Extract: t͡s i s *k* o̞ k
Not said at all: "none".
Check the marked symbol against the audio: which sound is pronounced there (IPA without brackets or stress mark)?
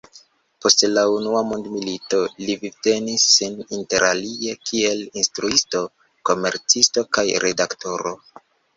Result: t